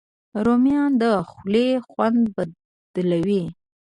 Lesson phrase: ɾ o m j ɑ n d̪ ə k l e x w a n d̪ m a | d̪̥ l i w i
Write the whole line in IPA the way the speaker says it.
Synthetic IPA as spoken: ɾ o m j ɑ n d̪ ə x l e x w a n d̪ b a | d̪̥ l a w i